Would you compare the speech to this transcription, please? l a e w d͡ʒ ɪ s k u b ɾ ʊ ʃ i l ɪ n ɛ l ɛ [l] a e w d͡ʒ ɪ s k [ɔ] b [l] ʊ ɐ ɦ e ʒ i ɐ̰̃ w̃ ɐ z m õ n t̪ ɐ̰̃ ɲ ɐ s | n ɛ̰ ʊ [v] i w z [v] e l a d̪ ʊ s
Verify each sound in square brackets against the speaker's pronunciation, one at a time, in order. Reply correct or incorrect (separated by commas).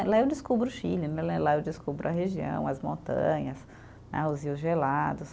correct, incorrect, incorrect, incorrect, incorrect